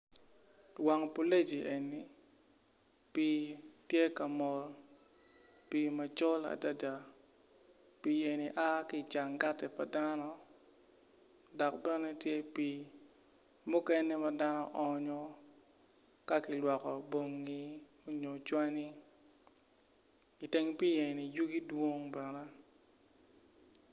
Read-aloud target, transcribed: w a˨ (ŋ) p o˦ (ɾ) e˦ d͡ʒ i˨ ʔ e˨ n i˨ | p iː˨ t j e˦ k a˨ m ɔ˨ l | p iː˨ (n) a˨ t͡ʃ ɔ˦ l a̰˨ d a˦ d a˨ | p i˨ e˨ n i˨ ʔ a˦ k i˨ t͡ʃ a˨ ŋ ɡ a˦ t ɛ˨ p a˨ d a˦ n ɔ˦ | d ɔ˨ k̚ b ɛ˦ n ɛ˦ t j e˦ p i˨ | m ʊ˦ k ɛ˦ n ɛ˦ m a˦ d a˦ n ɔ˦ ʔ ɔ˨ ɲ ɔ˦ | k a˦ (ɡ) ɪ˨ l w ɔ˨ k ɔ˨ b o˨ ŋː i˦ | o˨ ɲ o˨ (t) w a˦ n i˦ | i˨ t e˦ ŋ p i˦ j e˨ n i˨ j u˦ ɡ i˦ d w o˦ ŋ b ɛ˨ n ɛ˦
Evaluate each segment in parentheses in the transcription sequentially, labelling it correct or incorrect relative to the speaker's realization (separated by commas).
correct, incorrect, incorrect, incorrect, incorrect